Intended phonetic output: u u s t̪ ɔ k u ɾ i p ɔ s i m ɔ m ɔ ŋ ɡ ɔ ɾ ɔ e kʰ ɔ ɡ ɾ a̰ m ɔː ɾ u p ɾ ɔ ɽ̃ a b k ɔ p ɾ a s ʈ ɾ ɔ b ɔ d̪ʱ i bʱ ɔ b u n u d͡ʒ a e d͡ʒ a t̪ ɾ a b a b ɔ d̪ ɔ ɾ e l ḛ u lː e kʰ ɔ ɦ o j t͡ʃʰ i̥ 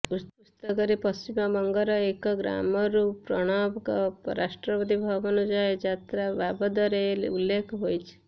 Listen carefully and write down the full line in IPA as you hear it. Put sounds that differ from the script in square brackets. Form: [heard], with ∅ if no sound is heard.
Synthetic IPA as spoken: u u s t̪ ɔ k [ɔ] ɾ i p ɔ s i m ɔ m ɔ ŋ ɡ ɔ ɾ ɔ e [k] ɔ ɡ ɾ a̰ m [ɔ] ɾ u p ɾ ɔ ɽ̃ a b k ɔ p ɾ a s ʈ ɾ ɔ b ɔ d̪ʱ i bʱ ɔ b [ɔ] n u d͡ʒ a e d͡ʒ a t̪ ɾ a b a b ɔ d̪ ɔ ɾ e l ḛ u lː e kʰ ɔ ɦ o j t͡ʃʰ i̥